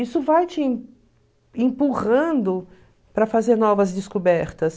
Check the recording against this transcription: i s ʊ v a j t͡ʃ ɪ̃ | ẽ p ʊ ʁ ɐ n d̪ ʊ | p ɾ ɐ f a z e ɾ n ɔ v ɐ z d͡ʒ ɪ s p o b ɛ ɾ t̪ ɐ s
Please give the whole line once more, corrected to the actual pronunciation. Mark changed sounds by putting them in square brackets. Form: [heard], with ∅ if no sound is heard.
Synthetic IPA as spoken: i s ʊ v a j t͡ʃ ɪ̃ | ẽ p [u] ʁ [ɐ̃] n d̪ ʊ | p ɾ ɐ f a z e ɾ n ɔ v ɐ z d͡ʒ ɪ s [k] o b ɛ ɾ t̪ ɐ s